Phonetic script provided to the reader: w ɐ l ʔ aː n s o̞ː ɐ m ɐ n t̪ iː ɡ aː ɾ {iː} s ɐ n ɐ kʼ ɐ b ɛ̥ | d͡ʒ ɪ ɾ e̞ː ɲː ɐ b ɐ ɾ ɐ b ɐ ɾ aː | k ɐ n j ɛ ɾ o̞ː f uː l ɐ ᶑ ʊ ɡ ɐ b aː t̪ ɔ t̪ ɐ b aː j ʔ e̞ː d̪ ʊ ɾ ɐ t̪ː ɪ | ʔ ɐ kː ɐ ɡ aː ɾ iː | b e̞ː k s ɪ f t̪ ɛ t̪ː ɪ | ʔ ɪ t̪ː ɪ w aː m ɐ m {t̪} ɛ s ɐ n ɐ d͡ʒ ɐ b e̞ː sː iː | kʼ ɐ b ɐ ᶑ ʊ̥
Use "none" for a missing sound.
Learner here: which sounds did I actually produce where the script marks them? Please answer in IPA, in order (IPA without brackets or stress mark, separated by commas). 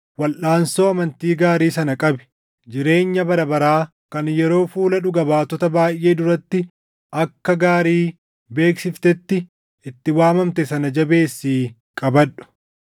iː, t̪